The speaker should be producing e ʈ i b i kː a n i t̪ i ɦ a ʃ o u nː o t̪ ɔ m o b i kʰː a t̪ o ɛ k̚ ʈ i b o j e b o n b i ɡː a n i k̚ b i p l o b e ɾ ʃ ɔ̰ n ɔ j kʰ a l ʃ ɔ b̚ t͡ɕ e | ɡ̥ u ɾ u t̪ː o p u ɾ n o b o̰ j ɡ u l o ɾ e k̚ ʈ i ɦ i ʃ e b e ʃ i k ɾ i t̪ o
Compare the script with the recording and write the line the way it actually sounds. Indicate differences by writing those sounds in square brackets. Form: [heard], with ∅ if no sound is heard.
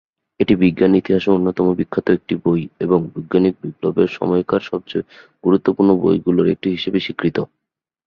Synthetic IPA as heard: e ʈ i b i [ɡː] a n i t̪ i ɦ a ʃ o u nː o t̪ ɔ m o b i kʰː a t̪ o [e] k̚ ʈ i b o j e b o [ŋ] b i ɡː a n i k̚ b i p l o b e ɾ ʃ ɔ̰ [m] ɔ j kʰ a [ɾ] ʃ ɔ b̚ t͡ɕ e | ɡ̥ u ɾ u t̪ː o p u ɾ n o b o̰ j ɡ u l o ɾ e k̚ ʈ i ɦ i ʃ e b e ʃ i k ɾ i t̪ o